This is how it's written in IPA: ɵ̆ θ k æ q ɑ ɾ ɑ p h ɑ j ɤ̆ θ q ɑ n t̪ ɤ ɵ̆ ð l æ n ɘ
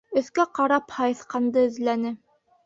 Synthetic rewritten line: ɵ̆ θ k æ q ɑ ɾ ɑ p h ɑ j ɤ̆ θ q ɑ n d̪ ɤ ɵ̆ ð l æ n ɘ